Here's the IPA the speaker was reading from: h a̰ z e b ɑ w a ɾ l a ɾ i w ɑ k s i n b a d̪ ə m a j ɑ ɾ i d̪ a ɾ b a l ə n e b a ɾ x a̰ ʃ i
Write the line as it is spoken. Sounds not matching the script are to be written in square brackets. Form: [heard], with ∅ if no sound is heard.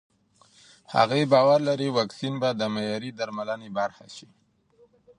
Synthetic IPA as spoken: h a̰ [ɣ] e b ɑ w a ɾ l a ɾ i w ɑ k s i n b a d̪ ə m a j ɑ ɾ i d̪ a ɾ [m] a l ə n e b a ɾ x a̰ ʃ i